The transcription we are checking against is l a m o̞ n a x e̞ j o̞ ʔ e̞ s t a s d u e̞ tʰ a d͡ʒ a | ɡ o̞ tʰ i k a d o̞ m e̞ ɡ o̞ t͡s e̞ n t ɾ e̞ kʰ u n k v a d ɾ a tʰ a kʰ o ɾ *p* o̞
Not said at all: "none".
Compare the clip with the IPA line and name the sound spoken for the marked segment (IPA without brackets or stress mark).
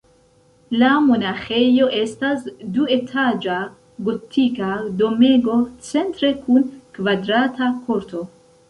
t